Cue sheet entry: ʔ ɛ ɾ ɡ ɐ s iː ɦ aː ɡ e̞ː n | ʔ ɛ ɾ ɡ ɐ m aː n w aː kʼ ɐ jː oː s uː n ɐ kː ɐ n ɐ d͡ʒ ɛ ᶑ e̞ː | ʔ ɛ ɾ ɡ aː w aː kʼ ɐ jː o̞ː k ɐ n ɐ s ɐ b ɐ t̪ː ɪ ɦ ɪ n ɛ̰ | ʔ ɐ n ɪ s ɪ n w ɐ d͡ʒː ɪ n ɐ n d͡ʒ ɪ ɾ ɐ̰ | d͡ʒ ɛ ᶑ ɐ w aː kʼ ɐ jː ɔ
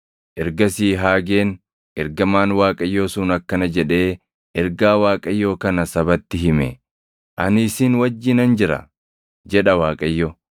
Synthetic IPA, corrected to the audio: ʔ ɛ ɾ ɡ ɐ s iː ɦ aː ɡ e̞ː n | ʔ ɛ ɾ ɡ ɐ m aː n w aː kʼ ɐ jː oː s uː n ɐ kː ɐ n ɐ d͡ʒ ɛ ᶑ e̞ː | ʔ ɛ ɾ ɡ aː w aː kʼ ɐ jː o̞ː k ɐ n ɐ s ɐ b ɐ t̪ː ɪ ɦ ɪ m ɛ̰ | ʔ ɐ n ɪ s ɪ n w ɐ d͡ʒː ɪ n ɐ n d͡ʒ ɪ ɾ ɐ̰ | d͡ʒ ɛ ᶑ ɐ w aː kʼ ɐ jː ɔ